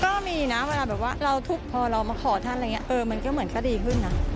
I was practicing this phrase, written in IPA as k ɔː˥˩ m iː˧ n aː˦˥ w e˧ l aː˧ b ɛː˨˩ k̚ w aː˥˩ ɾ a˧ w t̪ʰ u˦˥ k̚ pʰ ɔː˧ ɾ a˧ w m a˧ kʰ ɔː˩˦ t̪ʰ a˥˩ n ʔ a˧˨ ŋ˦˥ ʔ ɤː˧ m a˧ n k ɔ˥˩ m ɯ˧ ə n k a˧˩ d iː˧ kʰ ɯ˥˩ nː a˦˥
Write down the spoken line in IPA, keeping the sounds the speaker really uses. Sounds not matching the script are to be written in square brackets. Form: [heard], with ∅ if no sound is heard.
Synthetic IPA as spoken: k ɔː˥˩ m iː˧ n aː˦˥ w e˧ l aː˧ b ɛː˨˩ [p̚] w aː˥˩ ɾ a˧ w t̪ʰ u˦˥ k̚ pʰ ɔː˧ ɾ a˧ w m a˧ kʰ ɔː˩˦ t̪ʰ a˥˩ n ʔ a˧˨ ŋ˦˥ ʔ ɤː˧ m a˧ n k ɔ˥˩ m [ɯ˩˦] ə n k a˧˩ d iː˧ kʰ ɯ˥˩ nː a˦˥